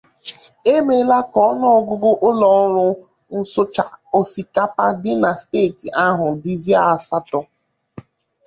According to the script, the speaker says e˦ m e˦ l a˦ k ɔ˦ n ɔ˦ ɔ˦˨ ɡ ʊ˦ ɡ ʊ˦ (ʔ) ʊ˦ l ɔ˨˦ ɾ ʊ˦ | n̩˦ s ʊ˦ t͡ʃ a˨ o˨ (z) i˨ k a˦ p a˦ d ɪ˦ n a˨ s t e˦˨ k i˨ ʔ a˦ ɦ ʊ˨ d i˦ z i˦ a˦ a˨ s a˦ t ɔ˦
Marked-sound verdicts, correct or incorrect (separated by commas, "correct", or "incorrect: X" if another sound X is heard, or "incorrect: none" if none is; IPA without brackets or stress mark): correct, incorrect: s